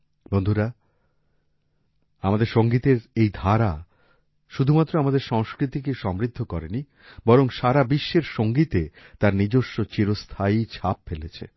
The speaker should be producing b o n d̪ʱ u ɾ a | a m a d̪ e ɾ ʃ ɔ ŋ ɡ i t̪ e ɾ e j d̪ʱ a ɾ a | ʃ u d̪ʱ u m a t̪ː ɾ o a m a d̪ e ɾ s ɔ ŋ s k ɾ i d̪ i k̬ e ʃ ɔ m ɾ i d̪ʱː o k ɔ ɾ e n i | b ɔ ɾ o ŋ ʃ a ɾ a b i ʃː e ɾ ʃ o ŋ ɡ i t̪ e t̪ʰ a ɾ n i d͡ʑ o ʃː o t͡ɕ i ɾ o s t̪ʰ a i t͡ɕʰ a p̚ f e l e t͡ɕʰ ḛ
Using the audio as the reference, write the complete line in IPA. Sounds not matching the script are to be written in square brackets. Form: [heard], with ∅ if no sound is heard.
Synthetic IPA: b o n d̪ʱ u ɾ a | a m a d̪ e ɾ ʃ [o] ŋ ɡ i t̪ e ɾ e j d̪ʱ a ɾ a | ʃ u d̪ʱ u m a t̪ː ɾ o a m a d̪ e ɾ [ʃ] ɔ ŋ s k ɾ i [t̪] i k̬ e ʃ ɔ m ɾ i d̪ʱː o k ɔ ɾ e n i | b ɔ ɾ o ŋ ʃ a ɾ a b i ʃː e ɾ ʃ o ŋ ɡ i t̪ e [t̪] a ɾ n i d͡ʑ o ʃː o t͡ɕ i ɾ o s t̪ʰ a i t͡ɕʰ a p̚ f e l e t͡ɕʰ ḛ